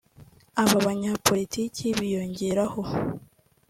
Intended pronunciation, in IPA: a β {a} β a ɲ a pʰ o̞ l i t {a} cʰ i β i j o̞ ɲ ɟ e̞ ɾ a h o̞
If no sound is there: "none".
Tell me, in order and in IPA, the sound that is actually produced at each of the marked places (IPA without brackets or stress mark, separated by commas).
a, i